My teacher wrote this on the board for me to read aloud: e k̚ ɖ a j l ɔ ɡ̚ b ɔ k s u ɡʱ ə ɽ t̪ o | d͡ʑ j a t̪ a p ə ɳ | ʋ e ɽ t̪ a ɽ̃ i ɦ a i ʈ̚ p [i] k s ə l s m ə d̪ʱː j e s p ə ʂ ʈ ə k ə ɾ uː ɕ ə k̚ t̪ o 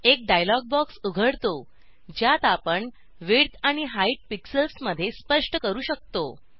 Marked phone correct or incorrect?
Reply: correct